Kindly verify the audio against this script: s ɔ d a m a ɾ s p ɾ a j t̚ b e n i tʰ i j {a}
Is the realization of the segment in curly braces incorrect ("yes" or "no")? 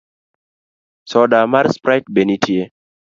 yes